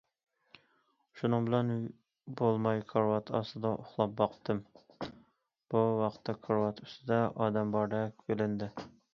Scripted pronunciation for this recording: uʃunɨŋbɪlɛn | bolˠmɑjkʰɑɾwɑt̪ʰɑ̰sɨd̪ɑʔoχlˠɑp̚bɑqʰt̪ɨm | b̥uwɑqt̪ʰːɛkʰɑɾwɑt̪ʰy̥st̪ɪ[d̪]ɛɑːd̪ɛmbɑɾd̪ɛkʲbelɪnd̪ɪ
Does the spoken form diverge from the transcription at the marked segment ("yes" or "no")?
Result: no